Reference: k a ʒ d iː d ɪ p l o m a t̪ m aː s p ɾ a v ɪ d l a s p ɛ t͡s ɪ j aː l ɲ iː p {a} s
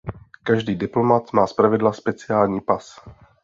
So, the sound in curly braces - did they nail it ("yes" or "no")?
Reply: yes